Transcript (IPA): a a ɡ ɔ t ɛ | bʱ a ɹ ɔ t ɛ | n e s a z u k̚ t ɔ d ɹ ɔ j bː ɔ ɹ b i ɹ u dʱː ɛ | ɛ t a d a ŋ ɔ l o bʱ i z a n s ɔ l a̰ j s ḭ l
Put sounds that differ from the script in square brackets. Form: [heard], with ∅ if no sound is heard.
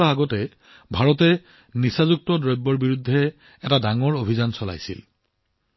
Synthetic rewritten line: a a ɡ ɔ t ɛ | bʱ a ɹ ɔ t ɛ | n [i] s a z u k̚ t ɔ d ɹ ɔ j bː ɔ ɹ b i ɹ u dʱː ɛ | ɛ t a d a ŋ ɔ [ɹ] o bʱ i z a n s ɔ l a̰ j s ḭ l